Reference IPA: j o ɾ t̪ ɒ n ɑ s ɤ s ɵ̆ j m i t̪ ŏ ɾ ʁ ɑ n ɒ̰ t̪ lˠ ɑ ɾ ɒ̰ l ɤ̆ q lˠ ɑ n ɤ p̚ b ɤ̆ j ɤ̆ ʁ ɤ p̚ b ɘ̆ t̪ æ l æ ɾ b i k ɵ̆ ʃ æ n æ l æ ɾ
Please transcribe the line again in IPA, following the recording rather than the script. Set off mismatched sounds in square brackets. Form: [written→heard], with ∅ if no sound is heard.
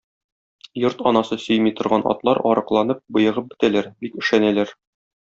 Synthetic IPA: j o ɾ t̪ ɒ n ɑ s ɤ s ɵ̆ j m i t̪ ŏ ɾ ʁ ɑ n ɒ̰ t̪ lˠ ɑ ɾ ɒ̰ [l→ɾ] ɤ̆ q lˠ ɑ n ɤ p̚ b ɤ̆ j ɤ̆ ʁ ɤ p̚ b ɘ̆ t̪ æ l æ ɾ b i k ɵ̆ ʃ æ n æ l æ ɾ